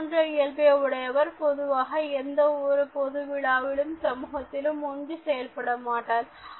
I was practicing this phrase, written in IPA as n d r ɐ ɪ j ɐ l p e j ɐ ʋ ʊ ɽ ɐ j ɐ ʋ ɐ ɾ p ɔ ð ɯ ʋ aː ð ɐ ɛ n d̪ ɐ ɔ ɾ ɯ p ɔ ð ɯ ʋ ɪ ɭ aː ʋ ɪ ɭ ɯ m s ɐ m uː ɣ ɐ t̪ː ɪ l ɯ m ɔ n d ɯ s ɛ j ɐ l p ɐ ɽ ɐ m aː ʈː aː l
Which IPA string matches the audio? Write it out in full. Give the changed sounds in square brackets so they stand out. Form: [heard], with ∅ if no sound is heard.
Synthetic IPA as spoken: n d r ɐ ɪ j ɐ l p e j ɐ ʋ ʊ ɽ ɐ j ɐ ʋ ɐ ɾ p ɔ ð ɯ ʋ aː [ɣ] ɐ ɛ n d̪ ɐ ɔ ɾ ɯ p ɔ ð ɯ ʋ ɪ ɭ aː ʋ ɪ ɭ ɯ m s ɐ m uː ɣ ɐ t̪ː ɪ l ɯ m ɔ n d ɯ s ɛ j ɐ l p ɐ ɽ ɐ m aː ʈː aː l

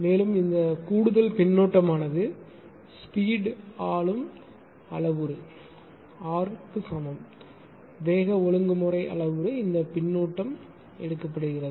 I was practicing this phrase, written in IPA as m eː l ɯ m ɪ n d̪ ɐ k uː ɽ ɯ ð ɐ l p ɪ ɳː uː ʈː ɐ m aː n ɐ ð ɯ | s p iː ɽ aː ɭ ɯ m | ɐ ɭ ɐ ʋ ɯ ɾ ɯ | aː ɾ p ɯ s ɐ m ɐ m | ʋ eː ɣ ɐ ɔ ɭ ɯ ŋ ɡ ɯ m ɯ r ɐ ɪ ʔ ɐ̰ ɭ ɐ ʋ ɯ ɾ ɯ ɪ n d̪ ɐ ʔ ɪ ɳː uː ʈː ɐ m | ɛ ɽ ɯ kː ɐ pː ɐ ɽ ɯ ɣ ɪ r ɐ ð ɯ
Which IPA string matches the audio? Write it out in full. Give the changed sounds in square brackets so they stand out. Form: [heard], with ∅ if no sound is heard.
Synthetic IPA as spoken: m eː l ɯ m ɪ n d̪ ɐ k uː ɽ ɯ ð ɐ l p ɪ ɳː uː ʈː ɐ m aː n ɐ ð ɯ | s p iː ɽ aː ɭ ɯ m | ɐ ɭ ɐ ʋ ɯ ɾ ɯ | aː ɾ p ɯ s ɐ m ɐ m | ʋ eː ɣ ɐ ɔ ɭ ɯ ŋ ɡ ɯ m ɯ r ɐ ɪ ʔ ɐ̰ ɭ ɐ ʋ ɯ ɾ ɯ ɪ n d̪ ɐ [p] ɪ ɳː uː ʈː ɐ m | ɛ ɽ ɯ kː ɐ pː ɐ ɽ ɯ ɣ ɪ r ɐ ð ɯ

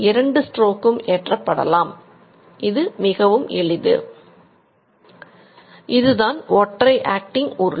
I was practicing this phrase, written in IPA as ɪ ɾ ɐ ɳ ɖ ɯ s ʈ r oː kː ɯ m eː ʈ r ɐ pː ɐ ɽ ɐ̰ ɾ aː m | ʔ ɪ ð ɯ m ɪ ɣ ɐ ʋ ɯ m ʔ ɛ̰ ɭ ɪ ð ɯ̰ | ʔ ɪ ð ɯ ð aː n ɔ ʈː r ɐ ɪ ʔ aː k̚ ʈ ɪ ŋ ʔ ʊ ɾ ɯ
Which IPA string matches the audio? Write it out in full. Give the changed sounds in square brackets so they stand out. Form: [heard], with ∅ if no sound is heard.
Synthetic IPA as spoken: ɪ ɾ ɐ ɳ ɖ ɯ s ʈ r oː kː ɯ m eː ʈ r ɐ pː ɐ ɽ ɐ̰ [l] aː m | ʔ ɪ ð ɯ m ɪ ɣ ɐ ʋ ɯ m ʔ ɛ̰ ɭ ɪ ð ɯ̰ | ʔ ɪ ð ɯ ð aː n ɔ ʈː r ɐ ɪ ʔ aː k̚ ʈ ɪ ŋ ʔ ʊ ɾ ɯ

